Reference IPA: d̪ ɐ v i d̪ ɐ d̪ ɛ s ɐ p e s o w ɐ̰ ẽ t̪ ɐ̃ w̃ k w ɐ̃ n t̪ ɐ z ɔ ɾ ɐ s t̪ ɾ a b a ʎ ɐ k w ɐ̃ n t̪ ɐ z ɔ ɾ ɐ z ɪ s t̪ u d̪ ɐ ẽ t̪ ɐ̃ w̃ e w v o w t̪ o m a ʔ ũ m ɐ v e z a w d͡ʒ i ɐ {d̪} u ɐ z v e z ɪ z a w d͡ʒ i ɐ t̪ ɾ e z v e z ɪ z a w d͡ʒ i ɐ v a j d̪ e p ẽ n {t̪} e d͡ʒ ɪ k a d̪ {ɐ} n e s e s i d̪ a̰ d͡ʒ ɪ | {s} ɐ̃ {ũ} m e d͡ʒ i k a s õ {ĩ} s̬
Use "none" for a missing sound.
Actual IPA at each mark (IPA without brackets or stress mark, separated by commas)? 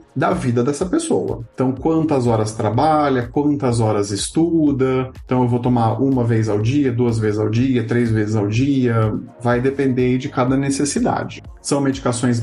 d̪, d̪, ɐ, s, w̃, j̃